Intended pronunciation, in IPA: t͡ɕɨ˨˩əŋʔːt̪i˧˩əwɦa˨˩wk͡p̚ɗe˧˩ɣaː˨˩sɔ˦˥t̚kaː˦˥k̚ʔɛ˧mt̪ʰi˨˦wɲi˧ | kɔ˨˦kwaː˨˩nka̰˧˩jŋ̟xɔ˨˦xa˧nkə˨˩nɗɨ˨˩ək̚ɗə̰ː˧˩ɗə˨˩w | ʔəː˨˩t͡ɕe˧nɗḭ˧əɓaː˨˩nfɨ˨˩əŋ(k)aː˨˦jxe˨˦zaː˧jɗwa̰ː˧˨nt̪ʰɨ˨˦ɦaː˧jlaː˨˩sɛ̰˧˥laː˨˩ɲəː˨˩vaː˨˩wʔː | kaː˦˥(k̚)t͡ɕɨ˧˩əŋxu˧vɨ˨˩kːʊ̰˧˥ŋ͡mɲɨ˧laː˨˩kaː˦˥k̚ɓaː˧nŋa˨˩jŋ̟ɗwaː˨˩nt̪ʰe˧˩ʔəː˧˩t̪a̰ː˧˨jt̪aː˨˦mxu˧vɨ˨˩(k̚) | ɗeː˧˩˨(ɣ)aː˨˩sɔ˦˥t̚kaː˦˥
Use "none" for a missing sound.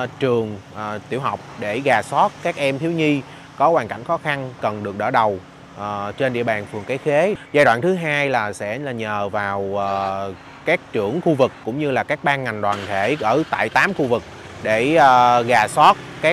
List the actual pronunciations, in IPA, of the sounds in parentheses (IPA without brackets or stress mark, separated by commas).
k, k̚, k̚, ɣ